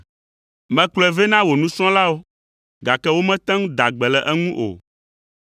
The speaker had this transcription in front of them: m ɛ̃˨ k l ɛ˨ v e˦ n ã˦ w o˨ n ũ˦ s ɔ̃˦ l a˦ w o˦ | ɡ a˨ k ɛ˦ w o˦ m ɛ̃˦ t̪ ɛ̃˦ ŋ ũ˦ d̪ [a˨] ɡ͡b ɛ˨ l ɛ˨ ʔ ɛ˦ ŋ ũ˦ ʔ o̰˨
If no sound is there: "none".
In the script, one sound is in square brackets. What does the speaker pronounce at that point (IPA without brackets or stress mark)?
a˨